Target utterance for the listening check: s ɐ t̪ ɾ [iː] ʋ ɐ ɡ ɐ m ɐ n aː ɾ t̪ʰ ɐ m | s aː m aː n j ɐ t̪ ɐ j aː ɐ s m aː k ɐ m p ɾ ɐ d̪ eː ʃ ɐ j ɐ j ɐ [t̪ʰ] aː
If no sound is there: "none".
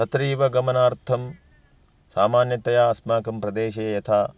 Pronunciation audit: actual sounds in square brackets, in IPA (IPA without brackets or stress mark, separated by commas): iː, t̪ʰ